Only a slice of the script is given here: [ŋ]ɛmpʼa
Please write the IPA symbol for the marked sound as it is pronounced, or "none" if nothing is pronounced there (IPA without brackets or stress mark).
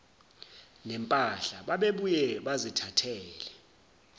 n